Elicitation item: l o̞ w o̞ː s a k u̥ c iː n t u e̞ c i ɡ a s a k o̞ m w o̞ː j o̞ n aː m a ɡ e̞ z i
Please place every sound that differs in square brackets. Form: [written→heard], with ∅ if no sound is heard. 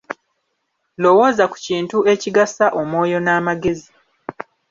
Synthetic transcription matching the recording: l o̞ w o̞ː [s→z] a k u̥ c iː n t u e̞ c i ɡ a s a [k→ʔ] o̞ m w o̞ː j o̞ n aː m a ɡ e̞ z i